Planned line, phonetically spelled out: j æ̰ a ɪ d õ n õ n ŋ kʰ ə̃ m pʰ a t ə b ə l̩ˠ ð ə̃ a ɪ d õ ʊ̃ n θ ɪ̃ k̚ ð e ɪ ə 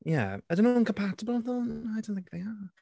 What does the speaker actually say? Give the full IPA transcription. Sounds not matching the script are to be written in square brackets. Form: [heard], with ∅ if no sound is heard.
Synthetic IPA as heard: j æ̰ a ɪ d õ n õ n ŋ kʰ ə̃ m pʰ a t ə b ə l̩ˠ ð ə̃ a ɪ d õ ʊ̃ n θ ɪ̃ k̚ ð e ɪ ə

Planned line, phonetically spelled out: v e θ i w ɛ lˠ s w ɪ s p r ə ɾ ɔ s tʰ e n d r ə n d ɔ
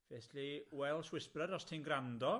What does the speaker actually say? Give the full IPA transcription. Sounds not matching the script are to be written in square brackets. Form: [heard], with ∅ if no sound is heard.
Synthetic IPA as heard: v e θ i w ɛ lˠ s w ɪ s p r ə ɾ ɔ s tʰ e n [ɡ] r [a] n d ɔ

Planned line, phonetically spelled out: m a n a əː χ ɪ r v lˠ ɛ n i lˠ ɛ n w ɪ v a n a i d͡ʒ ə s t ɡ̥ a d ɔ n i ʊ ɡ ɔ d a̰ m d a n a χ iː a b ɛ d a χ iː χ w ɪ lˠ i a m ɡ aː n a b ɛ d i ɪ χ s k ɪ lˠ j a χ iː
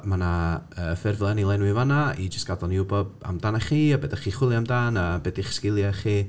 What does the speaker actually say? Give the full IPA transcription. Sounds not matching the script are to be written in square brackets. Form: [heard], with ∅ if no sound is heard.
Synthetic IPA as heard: m a n a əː [f] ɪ r v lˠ ɛ n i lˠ ɛ n w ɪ v a n a i d͡ʒ ə s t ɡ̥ a d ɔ n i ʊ [b] ɔ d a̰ m d a n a χ iː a b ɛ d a χ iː χ w ɪ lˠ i a m [d] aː n a b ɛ d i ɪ χ s k ɪ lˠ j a χ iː

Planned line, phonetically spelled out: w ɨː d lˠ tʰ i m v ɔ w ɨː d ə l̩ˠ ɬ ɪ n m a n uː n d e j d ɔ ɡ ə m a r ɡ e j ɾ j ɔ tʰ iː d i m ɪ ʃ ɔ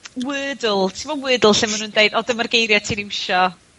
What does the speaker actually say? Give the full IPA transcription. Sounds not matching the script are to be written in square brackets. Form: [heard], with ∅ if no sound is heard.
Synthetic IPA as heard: w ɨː d lˠ tʰ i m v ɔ w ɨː d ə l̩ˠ ɬ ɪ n m a n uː n d e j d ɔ [d] ə m a r ɡ e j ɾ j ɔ tʰ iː [n] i m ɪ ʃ ɔ

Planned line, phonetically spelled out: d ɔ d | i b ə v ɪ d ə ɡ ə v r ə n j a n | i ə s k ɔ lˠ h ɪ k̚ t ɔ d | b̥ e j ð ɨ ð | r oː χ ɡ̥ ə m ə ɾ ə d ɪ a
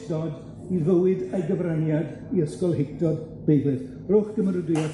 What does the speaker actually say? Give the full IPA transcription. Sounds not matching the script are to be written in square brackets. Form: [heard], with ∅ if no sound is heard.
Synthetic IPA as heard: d ɔ d | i [v] ə [w] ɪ d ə ɡ ə v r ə n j a [d] | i ə s k ɔ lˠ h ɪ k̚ t ɔ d | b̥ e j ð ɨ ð | r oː χ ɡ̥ ə m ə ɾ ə d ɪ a

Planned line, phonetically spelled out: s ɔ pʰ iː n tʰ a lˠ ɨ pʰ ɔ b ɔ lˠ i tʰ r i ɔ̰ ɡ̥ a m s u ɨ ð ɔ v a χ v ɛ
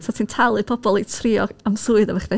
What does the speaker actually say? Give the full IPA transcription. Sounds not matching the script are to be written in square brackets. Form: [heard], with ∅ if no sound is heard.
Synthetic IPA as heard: s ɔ [tʰ] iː n tʰ a lˠ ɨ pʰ ɔ b ɔ lˠ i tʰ r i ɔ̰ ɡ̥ a m s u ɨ ð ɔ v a χ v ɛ

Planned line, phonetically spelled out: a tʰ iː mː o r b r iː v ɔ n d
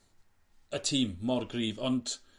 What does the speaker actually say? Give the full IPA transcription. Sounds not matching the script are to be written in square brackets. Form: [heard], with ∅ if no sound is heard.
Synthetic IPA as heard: [ə] tʰ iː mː [ɔ] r [ɡ] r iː v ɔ n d

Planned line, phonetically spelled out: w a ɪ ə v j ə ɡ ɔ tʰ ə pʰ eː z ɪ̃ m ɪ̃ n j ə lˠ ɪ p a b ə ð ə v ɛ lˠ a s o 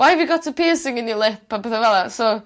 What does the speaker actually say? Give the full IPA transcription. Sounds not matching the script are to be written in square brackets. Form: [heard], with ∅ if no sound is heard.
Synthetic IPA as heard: w a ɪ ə v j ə ɡ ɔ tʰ ə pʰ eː [s] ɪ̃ [ŋ] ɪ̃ n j ə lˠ ɪ p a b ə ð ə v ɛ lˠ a s o

